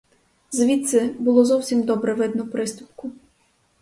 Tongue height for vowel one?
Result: high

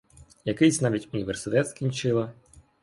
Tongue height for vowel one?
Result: low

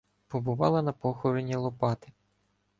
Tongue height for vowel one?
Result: mid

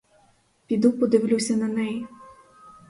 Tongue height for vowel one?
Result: high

